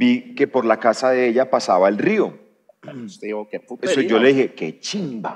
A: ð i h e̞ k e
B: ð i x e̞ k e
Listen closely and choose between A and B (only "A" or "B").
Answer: A